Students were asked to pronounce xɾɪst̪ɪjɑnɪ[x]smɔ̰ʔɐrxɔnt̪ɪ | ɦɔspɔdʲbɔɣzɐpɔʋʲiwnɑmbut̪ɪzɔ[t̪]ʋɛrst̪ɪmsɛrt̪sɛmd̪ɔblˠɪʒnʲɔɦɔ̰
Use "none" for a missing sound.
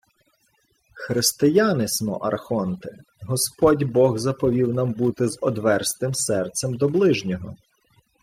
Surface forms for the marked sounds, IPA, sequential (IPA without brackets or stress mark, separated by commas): none, d̪